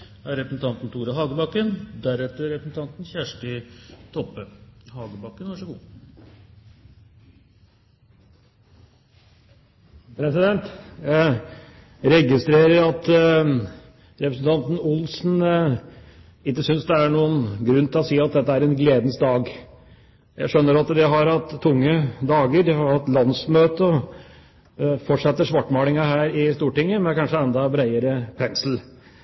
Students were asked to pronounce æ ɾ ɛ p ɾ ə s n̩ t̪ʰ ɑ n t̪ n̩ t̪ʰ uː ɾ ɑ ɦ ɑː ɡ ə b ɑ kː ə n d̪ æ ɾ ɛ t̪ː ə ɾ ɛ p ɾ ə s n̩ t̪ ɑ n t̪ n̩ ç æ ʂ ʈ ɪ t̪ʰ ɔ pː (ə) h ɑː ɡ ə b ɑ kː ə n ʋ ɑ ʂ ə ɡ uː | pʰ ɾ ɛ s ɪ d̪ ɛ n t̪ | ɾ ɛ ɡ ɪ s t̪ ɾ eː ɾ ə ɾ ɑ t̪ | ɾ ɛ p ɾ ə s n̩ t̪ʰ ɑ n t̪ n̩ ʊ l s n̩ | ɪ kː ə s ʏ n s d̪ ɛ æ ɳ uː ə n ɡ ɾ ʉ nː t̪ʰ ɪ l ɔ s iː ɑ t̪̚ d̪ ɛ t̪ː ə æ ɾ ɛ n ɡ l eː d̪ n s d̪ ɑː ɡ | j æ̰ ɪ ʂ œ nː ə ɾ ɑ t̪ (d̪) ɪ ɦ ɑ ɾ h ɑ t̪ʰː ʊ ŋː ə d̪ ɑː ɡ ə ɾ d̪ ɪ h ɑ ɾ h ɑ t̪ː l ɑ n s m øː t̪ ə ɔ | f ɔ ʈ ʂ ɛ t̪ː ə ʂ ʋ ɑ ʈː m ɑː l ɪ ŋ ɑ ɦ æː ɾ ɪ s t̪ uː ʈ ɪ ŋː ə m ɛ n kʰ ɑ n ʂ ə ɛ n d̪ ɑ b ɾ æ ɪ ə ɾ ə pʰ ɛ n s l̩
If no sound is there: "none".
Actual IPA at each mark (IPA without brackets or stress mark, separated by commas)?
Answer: ə, d̪